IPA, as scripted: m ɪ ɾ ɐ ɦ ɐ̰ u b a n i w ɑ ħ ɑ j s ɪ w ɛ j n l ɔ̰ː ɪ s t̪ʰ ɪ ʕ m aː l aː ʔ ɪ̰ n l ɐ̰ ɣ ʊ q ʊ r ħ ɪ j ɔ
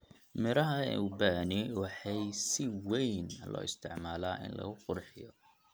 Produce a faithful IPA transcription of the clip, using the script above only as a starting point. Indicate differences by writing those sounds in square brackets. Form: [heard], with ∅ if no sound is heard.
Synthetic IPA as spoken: m ɪ ɾ ɐ ɦ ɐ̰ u b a n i w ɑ ħ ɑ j s ɪ w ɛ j n l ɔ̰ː ɪ s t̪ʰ ɪ ʕ m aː l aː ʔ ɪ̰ n l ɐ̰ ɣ ʊ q ʊ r ħ ɪ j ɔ